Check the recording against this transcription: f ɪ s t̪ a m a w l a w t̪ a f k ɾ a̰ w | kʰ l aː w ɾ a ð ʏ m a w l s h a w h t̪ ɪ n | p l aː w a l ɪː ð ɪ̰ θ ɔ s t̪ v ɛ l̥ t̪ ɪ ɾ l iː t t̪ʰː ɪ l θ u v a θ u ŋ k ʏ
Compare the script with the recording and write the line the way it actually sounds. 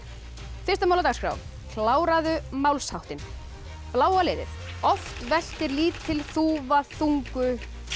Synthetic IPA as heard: f ɪ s t̪ a m a w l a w t̪ a s k ɾ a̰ w | kʰ l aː w ɾ a ð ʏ m a w l s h a w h t̪ ɪ n | p l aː w a l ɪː ð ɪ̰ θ ɔ f t̪ v ɛ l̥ t̪ ɪ ɾ l iː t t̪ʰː ɪ l θ u v a θ u ŋ k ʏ

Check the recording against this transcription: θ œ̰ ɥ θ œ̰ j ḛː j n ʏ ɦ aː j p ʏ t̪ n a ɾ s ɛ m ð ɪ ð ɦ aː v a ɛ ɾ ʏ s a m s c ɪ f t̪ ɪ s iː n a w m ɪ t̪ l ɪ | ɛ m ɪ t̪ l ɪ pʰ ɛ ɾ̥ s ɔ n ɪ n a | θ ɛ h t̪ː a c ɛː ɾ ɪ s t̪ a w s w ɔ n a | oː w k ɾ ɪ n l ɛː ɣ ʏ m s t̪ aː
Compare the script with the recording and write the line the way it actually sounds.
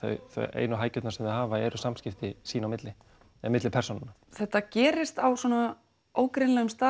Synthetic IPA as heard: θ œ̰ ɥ θ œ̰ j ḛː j n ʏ ɦ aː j c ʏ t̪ n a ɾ s ɛ m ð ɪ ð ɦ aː v a ɛ ɾ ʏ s a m s c ɪ f t̪ ɪ s iː n a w m ɪ t̪ l ɪ | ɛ m ɪ t̪ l ɪ pʰ ɛ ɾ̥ s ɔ n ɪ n a | θ ɛ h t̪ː a c ɛː ɾ ɪ s t̪ a w s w ɔ n a | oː w k ɾ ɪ n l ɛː ɣ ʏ m s t̪ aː

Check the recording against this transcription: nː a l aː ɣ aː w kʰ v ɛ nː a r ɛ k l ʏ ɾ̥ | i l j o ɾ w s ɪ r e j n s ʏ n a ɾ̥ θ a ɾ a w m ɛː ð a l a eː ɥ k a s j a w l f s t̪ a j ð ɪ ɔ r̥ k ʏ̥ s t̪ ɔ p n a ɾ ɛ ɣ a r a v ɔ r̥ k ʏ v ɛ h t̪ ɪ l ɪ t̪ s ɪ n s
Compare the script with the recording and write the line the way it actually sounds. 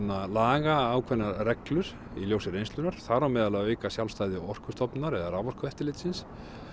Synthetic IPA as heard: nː a l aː ɣ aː w kʰ v ɛ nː a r ɛ k l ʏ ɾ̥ | i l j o w s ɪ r e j n s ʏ n a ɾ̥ θ a ɾ a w m ɛː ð a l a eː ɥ k a s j a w l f s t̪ a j ð ɪ ɔ r̥ k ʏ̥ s t̪ ɔ p n a ɾ ɛ ð a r a v ɔ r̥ k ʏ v ɛ h t̪ ɪ l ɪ t̪ s ɪ n s

